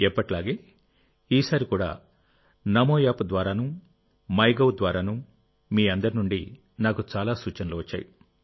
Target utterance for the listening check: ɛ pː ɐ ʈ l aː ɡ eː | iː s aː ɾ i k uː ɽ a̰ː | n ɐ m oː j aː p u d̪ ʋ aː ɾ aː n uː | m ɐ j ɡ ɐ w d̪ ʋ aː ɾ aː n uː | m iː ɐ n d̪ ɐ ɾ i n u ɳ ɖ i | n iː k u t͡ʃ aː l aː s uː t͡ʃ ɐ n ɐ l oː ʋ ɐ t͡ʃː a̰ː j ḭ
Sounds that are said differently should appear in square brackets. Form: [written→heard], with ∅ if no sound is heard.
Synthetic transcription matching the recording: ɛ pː ɐ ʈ l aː ɡ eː | iː s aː ɾ i k uː ɽ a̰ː | n ɐ m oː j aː p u d̪ ʋ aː ɾ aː n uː | m ɐ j ɡ ɐ w d̪ ʋ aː ɾ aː n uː | m iː ɐ n d̪ ɐ ɾ i n u ɳ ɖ i | n [iː→aː] k u t͡ʃ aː l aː s uː t͡ʃ ɐ n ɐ l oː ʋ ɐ t͡ʃː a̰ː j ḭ